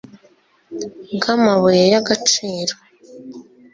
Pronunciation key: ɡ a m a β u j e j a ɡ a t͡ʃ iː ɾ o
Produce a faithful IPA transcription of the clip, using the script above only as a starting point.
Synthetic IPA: ɡ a m a β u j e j a ɡ a t͡ʃ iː ɾ o